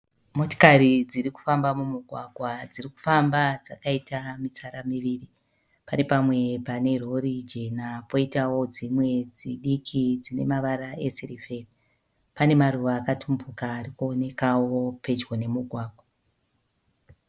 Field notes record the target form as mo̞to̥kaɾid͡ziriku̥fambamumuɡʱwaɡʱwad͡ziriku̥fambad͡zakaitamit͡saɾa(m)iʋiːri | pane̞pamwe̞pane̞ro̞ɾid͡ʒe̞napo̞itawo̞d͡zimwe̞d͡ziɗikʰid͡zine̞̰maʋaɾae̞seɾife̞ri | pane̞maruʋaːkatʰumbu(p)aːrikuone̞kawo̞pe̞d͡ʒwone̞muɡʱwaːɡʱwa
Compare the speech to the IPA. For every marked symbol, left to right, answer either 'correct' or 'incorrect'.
correct, incorrect: k

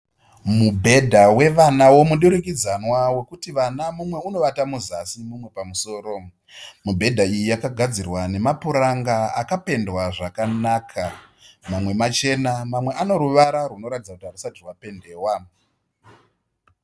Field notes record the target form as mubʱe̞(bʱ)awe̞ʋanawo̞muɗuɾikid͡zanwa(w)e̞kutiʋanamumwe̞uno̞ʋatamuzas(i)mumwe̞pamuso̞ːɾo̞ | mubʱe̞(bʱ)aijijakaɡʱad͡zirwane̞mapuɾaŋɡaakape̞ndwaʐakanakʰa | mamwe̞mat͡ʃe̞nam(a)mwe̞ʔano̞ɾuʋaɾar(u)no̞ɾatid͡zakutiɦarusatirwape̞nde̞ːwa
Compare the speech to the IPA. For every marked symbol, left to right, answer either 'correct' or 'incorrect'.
incorrect: dʱ, correct, correct, incorrect: dʱ, correct, correct

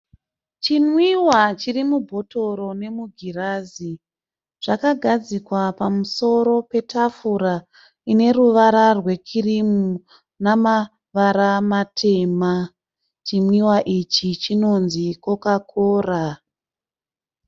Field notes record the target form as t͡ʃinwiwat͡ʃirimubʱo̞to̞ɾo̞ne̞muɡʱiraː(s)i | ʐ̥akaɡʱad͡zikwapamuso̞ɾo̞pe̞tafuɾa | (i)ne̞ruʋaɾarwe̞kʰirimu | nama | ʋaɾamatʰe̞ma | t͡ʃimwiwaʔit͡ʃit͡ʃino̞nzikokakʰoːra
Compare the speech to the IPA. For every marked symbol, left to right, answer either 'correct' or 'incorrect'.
incorrect: z, correct

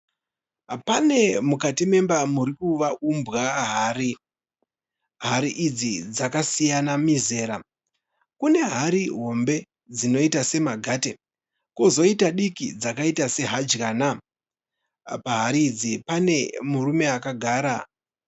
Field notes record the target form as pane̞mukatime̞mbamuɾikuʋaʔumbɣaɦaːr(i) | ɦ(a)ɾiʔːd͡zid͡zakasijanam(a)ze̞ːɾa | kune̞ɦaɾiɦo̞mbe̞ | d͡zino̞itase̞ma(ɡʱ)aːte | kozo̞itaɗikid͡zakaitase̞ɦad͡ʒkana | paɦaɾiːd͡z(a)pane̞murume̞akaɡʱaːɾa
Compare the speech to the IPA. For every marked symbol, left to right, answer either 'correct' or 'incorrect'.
correct, correct, incorrect: i, correct, incorrect: i

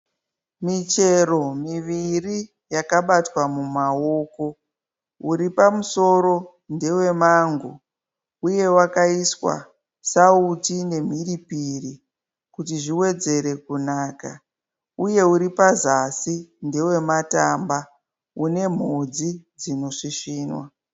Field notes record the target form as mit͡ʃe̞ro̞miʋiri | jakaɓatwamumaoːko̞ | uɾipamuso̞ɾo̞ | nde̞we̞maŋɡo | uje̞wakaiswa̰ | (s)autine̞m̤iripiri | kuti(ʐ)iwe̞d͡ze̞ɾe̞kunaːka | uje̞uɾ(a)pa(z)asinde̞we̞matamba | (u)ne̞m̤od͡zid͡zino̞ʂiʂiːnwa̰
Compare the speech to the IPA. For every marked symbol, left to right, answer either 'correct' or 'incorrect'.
correct, correct, incorrect: i, correct, correct

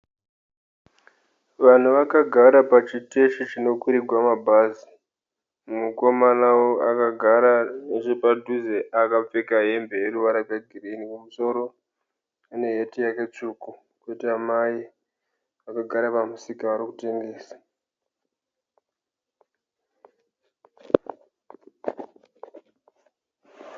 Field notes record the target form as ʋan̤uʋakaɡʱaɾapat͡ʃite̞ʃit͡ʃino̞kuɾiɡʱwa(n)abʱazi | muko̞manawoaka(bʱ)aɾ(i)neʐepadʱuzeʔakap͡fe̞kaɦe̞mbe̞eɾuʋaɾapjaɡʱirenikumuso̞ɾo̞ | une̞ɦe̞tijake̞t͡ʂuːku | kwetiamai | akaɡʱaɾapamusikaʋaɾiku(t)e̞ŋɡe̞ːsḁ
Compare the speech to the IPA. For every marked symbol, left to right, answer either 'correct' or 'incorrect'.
incorrect: m, incorrect: ɡʱ, incorrect: a, correct

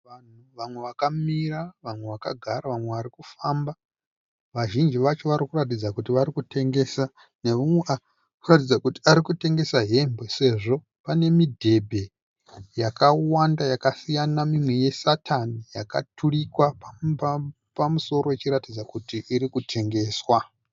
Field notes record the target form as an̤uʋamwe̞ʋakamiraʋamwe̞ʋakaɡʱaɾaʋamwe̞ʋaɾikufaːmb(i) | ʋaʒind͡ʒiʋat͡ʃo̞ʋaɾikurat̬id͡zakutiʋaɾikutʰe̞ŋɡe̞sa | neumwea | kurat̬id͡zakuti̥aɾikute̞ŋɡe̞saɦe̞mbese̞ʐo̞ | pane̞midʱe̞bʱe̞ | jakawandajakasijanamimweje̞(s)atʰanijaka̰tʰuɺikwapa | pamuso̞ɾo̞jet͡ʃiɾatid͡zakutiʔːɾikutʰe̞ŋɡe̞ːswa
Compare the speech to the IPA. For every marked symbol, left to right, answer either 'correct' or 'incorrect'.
incorrect: a, correct

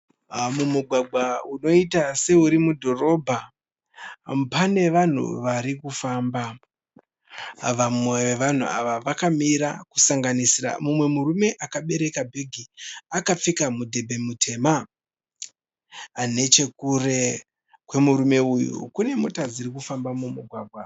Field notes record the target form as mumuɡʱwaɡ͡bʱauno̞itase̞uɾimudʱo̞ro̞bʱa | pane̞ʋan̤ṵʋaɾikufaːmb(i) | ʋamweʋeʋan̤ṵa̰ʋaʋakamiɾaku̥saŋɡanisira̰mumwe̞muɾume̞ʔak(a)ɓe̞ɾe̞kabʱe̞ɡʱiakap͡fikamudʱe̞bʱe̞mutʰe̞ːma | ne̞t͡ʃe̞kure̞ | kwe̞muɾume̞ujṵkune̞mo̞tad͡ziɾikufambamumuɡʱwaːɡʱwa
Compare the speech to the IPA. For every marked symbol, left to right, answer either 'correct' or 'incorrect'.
incorrect: a, correct

